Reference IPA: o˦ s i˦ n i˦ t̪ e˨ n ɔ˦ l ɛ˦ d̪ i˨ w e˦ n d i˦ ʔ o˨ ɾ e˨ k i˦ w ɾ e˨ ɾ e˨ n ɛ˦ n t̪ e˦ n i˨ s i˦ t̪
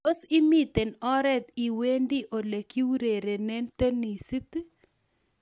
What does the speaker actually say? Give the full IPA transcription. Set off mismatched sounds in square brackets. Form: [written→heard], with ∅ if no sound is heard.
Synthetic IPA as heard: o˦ s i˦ [n→m] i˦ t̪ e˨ n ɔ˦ [l→ɾ] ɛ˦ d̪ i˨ w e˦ n d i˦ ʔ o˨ [ɾ→l] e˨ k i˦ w ɾ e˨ ɾ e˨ n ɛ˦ n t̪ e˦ n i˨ s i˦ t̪

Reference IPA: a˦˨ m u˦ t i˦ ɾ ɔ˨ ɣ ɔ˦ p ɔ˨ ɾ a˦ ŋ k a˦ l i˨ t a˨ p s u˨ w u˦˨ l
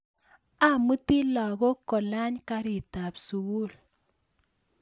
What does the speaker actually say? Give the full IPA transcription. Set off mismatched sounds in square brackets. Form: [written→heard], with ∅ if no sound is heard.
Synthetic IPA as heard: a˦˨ m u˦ t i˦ [ɾ→l] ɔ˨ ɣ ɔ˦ [p→k] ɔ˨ [ɾ→l] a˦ [ŋ→ɲ] k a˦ [l→ɾ] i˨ t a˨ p s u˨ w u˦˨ l

